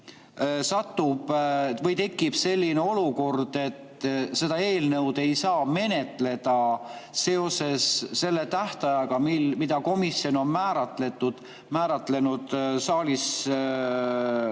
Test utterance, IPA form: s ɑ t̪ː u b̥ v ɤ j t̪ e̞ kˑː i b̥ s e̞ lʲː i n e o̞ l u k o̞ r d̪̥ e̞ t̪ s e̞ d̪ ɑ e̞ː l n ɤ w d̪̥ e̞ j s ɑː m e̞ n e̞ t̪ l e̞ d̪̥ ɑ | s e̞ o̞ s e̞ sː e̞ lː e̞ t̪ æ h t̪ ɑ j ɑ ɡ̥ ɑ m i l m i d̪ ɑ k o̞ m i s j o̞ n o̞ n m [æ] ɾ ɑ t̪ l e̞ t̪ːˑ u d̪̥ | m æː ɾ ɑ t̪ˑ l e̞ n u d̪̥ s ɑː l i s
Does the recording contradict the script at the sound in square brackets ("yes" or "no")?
yes